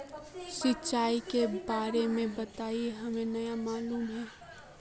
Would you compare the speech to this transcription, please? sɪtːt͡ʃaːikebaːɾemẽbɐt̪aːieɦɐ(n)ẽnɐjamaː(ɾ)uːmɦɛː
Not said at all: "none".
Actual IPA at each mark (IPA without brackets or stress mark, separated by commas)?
m, l